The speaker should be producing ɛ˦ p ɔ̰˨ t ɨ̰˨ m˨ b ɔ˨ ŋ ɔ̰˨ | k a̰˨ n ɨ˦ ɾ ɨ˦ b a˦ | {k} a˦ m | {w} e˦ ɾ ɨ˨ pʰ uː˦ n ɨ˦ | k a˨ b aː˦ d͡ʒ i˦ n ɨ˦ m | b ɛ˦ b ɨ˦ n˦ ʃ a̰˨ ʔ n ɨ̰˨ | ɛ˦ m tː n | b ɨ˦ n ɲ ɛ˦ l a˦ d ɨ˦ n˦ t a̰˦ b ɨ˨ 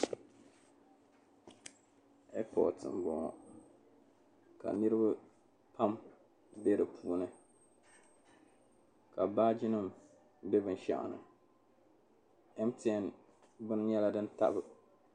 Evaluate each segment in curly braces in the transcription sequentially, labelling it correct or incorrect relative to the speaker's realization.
incorrect: p, incorrect: b

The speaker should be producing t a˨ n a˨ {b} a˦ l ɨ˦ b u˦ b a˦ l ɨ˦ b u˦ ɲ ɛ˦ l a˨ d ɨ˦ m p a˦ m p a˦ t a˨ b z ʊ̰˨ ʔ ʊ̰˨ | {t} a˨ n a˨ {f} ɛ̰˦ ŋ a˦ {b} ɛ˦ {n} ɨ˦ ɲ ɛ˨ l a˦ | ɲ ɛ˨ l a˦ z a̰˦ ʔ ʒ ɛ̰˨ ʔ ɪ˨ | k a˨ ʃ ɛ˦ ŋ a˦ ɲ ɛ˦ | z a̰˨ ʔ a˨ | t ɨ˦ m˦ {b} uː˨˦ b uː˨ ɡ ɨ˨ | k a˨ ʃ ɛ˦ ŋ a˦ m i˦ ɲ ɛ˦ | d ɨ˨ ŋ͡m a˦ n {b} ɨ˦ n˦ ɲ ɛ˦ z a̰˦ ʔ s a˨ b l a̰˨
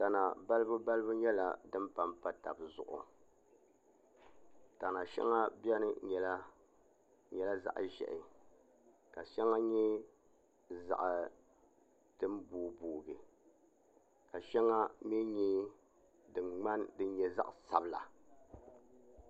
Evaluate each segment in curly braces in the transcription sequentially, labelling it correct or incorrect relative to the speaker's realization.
correct, correct, incorrect: ʃ, correct, correct, correct, incorrect: d

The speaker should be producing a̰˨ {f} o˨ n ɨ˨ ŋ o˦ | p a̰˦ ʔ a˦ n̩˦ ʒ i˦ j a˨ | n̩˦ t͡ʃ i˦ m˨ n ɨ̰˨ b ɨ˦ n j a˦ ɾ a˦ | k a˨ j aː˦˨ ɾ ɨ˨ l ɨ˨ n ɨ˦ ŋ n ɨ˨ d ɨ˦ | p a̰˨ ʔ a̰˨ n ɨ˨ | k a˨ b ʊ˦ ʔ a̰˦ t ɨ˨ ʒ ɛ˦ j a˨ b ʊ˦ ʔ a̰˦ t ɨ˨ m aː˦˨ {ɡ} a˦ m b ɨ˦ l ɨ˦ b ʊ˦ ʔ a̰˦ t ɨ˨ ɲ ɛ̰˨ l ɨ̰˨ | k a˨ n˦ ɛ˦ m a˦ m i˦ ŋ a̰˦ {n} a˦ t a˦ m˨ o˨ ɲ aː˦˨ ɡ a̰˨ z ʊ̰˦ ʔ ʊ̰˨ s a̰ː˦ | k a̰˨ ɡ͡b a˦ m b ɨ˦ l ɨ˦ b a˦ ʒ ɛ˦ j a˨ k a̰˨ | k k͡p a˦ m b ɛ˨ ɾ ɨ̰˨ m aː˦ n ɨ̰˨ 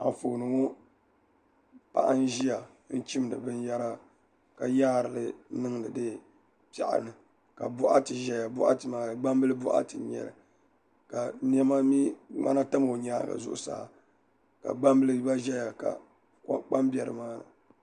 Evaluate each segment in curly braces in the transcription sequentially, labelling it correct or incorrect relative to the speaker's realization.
correct, incorrect: ɡ͡b, correct

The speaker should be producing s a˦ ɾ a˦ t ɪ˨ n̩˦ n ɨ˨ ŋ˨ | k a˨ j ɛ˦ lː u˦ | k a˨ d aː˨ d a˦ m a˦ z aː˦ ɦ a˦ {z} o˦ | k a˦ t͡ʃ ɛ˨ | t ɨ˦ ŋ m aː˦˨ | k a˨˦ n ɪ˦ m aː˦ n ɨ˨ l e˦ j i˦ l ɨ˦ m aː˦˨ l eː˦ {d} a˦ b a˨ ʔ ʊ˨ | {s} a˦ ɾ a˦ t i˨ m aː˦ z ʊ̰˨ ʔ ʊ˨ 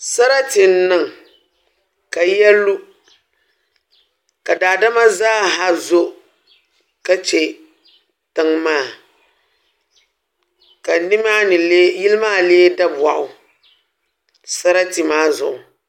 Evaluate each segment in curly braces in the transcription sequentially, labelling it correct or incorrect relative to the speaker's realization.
correct, correct, correct

